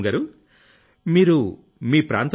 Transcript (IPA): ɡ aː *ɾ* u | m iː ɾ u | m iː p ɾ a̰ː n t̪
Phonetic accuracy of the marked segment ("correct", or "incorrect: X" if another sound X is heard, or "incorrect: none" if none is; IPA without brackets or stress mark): correct